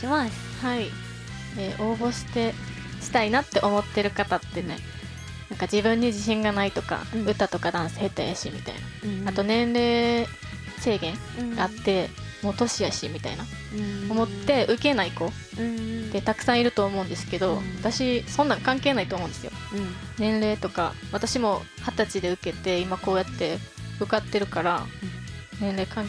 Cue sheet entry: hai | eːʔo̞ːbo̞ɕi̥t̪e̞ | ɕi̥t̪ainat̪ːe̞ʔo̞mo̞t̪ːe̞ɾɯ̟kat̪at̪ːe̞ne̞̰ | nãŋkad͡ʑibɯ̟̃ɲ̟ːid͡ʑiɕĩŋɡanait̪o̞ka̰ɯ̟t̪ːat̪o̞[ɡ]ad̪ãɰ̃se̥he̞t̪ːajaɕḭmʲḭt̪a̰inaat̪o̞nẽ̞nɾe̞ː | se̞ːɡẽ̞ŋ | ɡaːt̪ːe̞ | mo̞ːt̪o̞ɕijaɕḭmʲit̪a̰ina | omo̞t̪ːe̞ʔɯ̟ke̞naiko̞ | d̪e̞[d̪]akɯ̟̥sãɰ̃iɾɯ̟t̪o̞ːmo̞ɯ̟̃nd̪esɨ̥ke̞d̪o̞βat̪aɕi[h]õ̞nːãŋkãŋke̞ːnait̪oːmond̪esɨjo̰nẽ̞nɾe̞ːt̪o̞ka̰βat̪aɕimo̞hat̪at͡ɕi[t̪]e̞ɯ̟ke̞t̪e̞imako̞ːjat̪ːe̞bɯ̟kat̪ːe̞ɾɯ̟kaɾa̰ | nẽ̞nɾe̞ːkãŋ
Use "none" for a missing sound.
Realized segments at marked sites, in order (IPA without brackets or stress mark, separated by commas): k, t̪, s, d̪